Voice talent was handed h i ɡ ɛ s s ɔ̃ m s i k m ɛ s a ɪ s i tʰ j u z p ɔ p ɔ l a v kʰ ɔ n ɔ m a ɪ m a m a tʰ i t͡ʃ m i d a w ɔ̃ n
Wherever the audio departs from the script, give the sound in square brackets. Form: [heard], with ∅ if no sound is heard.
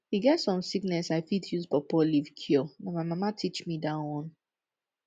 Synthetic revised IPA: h i ɡ ɛ [t] s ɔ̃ m s i k [n] ɛ s a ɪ [f] i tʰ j u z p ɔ p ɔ l [i] v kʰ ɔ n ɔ m a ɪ m a m a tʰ i t͡ʃ m i d a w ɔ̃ n